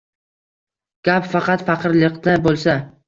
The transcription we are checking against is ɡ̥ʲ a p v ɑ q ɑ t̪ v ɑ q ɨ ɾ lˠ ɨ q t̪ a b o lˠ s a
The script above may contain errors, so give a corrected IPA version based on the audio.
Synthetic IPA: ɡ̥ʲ a p f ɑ q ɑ t̪ f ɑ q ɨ ɾ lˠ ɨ q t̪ a b o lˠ s a

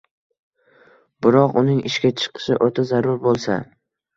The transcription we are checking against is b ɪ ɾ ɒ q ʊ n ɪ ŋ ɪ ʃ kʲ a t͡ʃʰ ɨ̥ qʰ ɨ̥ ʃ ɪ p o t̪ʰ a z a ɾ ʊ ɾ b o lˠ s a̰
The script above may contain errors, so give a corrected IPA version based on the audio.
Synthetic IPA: b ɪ ɾ ɒ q ʊ n ɪ ŋ ɪ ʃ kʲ a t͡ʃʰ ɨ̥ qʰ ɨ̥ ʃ ɪ ʔ o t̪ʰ a z a ɾ ʊ ɾ b o lˠ s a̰

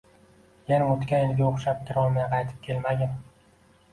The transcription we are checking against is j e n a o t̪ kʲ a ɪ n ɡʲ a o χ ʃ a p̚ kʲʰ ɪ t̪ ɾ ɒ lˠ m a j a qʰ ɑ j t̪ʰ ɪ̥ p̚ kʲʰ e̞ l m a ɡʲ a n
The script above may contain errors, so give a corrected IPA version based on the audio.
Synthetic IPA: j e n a o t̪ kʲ a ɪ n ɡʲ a o χ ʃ a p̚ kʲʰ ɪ ɾ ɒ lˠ m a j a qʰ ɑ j t̪ʰ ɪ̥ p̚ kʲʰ e̞ l m a ɡʲ a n

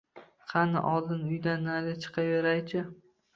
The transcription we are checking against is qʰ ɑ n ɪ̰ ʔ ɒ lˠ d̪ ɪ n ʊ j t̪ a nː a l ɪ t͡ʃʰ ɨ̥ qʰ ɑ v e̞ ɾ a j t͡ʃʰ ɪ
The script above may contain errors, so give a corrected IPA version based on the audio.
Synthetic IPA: qʰ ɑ n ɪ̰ ʔ ɒ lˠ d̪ ɪ n ʊ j d̪ a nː a l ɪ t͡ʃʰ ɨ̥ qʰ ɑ v e̞ ɾ a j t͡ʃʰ ɪ

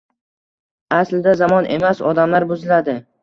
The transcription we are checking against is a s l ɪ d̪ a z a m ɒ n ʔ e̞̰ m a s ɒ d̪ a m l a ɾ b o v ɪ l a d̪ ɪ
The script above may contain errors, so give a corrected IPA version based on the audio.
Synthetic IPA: a s l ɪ d̪ a z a m ɒ n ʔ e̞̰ m a s ɒ d̪ a m l a ɾ b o z ɪ l a d̪ ɪ

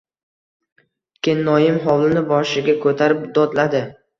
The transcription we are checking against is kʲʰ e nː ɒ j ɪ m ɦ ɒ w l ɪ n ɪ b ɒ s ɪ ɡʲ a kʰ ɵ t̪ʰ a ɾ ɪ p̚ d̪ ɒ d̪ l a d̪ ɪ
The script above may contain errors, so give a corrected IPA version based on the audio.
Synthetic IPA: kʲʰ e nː ɒ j ɪ m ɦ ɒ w l ɪ n ɪ b ɒ ʃ ɪ ɡʲ a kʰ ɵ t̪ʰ a ɾ ɪ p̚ d̪ ɒ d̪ l a d̪ ɪ

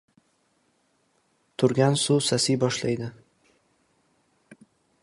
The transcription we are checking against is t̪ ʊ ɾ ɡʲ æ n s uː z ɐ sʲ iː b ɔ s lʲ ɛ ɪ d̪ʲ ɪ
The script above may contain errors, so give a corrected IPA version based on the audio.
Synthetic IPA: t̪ ʊ ɾ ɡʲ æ n s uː s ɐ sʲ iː b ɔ ʃ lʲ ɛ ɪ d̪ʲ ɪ

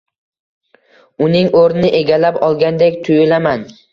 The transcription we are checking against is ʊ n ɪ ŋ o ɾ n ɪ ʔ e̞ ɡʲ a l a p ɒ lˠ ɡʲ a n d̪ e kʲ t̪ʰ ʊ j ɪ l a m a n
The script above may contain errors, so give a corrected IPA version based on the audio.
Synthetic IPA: ʊ n ɪ ŋ o ɾ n ɪ ʔ e̞ ɡʲ a l a p ɒ lˠ ɡʲ a n d̪ e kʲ t̪ʰ ʊ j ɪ l a m a n

